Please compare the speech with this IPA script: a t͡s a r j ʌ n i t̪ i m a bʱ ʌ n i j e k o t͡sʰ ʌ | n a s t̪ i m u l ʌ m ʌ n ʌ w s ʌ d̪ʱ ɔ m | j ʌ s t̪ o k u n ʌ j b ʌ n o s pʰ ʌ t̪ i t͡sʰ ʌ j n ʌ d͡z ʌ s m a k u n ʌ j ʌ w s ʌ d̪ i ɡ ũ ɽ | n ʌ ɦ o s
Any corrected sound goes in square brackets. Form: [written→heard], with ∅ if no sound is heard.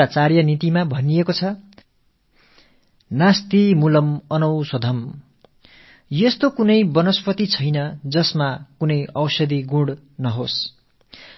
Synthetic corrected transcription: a t͡s a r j ʌ n i t̪ i m a bʱ ʌ n i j e k o t͡sʰ ʌ | n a s t̪ i m u l ʌ m ʌ n ʌ w s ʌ d̪ʱ [ɔ→ʌ] m | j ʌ s t̪ o k u n ʌ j b ʌ n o s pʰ ʌ t̪ i t͡sʰ ʌ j n ʌ d͡z ʌ s m a k u n ʌ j ʌ w s ʌ d̪ i ɡ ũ ɽ | n ʌ ɦ o s

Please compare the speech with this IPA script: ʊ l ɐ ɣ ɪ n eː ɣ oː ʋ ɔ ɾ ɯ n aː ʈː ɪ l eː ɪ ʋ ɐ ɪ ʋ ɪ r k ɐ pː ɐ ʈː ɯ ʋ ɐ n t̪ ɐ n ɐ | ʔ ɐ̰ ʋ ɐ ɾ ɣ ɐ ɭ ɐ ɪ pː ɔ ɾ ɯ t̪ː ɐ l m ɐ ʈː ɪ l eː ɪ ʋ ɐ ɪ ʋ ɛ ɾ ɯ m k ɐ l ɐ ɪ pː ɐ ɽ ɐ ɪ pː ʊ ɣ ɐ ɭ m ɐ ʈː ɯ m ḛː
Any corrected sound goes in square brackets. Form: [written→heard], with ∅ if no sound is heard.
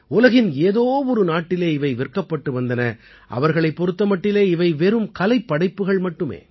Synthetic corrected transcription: ʊ l ɐ ɣ ɪ n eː [ɣ→ð] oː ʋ ɔ ɾ ɯ n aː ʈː ɪ l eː ɪ ʋ ɐ ɪ ʋ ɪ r k ɐ pː ɐ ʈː ɯ ʋ ɐ n [t̪→d̪] ɐ n ɐ | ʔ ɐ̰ ʋ ɐ ɾ ɣ ɐ ɭ ɐ ɪ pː ɔ ɾ ɯ t̪ː ɐ [l→∅] m ɐ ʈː ɪ l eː ɪ ʋ ɐ ɪ ʋ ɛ ɾ ɯ m k ɐ l ɐ ɪ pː ɐ ɽ ɐ ɪ pː [ʊ→ɯ] ɣ ɐ ɭ m ɐ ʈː ɯ m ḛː

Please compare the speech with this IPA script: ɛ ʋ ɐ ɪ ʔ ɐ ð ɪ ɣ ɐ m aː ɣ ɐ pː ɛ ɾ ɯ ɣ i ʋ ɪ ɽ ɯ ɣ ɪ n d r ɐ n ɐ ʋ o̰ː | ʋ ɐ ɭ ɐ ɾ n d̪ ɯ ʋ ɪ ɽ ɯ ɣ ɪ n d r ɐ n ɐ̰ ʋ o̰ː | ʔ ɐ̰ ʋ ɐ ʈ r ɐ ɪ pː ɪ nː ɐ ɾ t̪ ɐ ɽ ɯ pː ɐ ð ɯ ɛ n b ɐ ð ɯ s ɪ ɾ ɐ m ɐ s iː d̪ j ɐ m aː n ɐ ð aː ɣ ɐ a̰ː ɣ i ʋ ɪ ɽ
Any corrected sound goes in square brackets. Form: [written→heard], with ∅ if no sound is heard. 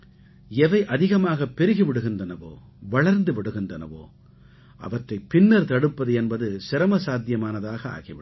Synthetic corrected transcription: ɛ ʋ ɐ ɪ ʔ ɐ ð ɪ ɣ ɐ m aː ɣ ɐ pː ɛ ɾ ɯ ɣ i ʋ ɪ ɽ ɯ ɣ ɪ n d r ɐ n ɐ ʋ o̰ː | ʋ ɐ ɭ ɐ ɾ n d̪ ɯ ʋ ɪ ɽ ɯ ɣ ɪ n d r ɐ n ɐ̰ ʋ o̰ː | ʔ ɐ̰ ʋ ɐ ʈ r ɐ ɪ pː ɪ nː ɐ ɾ t̪ ɐ ɽ ɯ pː ɐ ð ɯ ɛ n b ɐ ð ɯ s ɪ ɾ ɐ m ɐ s [iː→aː] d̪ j ɐ m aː n ɐ ð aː ɣ ɐ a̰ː ɣ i ʋ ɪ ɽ

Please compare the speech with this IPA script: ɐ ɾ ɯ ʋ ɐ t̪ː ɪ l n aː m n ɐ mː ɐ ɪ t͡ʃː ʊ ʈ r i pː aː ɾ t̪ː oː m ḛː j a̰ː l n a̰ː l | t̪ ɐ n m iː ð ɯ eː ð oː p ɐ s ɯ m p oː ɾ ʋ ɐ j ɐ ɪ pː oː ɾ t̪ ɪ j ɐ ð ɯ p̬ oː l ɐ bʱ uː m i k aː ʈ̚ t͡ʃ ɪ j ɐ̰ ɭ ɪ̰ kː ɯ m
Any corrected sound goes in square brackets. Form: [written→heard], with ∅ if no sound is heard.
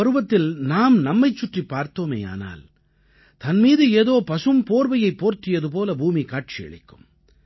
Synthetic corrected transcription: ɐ ɾ ɯ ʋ ɐ t̪ː ɪ l n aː m n ɐ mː ɐ ɪ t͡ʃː ʊ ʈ r i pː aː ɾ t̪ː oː m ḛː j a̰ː [l→∅] n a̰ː l | t̪ ɐ n m iː ð ɯ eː ð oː p ɐ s ɯ m p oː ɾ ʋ ɐ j ɐ ɪ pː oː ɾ t̪ ɪ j ɐ ð ɯ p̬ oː l ɐ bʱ uː m i k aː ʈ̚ t͡ʃ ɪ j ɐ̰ ɭ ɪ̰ kː ɯ m

